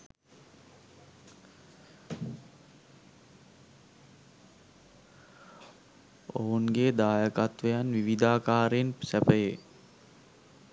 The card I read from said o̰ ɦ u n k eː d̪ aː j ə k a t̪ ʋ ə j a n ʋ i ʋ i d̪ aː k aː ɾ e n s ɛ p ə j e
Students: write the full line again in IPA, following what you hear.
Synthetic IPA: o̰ ɦ u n ɡ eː d̪ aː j ə k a t̪ ʋ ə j a n ʋ i ʋ i d̪ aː k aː ɾ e n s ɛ p ə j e